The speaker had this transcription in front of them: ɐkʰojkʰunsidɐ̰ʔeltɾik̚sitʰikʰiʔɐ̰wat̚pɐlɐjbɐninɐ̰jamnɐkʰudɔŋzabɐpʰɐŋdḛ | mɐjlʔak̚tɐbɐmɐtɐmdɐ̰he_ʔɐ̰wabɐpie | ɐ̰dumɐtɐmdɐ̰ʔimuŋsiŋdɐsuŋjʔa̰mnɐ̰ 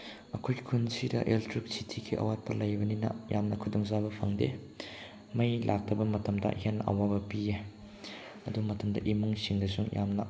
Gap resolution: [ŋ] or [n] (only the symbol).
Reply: n